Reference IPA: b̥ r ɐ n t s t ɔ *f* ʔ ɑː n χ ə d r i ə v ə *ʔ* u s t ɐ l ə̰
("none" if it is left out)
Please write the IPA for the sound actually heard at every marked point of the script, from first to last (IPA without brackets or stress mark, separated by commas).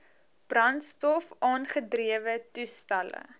f, t